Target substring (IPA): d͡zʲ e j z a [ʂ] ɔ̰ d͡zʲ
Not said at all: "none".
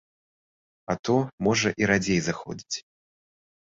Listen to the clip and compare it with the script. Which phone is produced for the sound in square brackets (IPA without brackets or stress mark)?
x